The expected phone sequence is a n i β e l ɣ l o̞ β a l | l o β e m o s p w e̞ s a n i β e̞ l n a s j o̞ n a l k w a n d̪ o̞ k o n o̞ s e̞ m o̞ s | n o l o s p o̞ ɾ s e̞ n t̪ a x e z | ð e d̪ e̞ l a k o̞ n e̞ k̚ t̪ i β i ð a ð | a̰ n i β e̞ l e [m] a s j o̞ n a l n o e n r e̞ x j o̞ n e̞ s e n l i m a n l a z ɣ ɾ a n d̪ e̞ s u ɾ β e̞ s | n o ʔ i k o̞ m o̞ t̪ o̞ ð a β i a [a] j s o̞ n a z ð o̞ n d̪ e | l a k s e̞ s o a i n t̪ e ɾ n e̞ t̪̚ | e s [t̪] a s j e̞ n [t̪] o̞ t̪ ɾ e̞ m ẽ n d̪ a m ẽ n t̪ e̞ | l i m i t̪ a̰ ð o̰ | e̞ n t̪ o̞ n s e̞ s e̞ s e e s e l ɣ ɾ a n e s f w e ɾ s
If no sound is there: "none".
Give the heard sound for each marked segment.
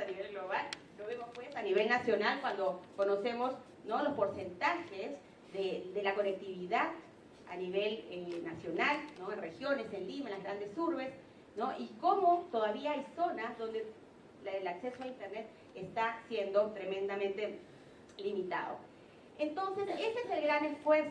n, a, t̪, d̪

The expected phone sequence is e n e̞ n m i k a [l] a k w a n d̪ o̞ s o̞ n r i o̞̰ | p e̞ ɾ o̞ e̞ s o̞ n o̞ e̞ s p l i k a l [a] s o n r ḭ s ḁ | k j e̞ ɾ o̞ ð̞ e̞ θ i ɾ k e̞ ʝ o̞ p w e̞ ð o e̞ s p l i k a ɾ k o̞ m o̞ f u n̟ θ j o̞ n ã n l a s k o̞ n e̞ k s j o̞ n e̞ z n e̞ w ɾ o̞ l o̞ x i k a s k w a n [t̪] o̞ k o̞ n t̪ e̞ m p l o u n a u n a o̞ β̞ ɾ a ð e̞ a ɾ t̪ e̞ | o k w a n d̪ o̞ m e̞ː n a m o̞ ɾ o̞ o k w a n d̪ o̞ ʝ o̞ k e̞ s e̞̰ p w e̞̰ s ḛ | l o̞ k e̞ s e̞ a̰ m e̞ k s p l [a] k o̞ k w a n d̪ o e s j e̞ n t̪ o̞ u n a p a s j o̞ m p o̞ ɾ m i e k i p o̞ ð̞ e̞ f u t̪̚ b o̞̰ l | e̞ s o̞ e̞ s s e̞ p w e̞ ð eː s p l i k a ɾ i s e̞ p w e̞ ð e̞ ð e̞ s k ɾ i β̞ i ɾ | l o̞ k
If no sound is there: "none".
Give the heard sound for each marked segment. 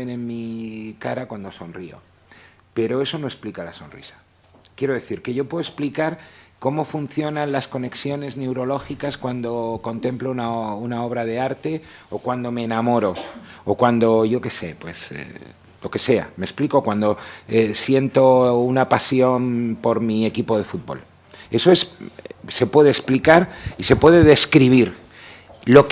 ɾ, a, d̪, i

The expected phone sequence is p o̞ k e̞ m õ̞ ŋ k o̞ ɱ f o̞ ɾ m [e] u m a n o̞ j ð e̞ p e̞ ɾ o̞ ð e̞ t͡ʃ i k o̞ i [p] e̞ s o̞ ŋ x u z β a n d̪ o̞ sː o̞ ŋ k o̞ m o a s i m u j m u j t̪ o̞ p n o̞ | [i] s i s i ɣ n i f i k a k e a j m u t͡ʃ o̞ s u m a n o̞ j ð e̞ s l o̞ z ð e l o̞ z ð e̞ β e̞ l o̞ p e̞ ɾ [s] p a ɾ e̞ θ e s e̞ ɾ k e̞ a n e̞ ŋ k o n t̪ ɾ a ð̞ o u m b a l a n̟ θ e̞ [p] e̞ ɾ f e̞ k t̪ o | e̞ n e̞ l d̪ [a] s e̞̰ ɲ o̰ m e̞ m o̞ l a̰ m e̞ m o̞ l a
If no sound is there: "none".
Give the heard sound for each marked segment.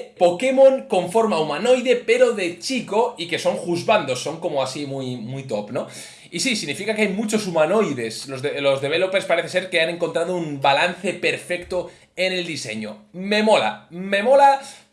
a, k, i, s, p, i

